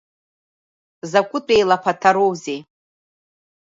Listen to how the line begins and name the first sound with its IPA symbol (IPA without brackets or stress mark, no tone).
z